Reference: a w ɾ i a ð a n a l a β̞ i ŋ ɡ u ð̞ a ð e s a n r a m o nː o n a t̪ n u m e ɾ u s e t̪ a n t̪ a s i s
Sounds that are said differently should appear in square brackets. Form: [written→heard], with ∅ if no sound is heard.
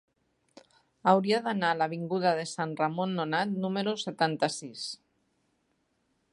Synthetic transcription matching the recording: a w ɾ i a ð a n a l a β̞ i ŋ ɡ u ð̞ a ð e s a n r a m o nː o n a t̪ n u m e ɾ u s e t̪ a n t̪ a s i s